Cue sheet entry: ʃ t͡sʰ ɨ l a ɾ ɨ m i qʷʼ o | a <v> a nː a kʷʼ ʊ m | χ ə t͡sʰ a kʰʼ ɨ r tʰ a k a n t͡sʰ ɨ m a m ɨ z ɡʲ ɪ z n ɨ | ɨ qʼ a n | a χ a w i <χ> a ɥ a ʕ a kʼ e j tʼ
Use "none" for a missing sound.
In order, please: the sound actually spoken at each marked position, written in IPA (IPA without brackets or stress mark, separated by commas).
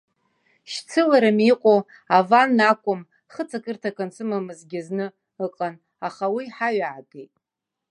v, ħ